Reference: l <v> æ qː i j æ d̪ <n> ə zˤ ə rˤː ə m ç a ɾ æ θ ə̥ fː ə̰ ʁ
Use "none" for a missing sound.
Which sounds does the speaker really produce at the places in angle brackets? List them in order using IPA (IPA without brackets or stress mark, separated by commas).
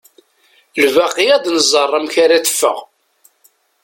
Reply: v, n